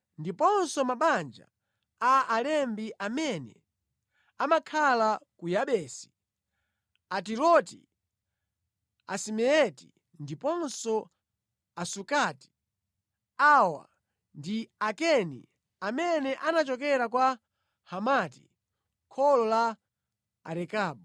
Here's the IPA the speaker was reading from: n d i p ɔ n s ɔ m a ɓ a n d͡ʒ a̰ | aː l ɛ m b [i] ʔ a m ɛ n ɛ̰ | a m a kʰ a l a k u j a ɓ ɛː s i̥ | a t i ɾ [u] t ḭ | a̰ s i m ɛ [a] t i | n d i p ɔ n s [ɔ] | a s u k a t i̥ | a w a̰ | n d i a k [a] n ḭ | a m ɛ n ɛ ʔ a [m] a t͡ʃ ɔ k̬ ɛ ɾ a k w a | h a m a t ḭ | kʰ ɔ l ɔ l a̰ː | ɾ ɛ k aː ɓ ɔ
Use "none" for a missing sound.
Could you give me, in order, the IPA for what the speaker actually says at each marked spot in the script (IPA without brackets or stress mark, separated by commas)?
i, ɔ, ɛ, ɔ, ɛ, n